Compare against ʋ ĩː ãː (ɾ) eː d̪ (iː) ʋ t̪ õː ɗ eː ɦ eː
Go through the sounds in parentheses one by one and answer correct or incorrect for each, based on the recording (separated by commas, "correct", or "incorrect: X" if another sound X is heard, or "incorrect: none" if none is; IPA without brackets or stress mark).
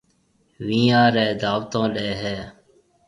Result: correct, incorrect: aː